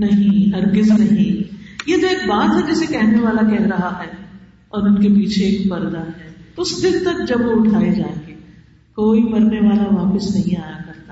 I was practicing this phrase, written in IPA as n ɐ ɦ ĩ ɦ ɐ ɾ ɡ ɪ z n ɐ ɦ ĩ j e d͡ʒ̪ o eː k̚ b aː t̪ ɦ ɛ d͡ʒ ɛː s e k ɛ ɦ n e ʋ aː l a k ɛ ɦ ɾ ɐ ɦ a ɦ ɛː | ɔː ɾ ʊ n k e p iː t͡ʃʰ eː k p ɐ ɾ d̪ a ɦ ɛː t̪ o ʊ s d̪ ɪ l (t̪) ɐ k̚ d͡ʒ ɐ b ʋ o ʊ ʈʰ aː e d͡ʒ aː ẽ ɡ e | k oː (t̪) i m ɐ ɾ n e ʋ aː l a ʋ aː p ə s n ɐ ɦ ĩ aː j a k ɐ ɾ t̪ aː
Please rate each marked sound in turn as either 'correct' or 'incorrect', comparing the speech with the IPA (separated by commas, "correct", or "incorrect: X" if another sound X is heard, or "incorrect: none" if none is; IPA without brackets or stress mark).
correct, incorrect: none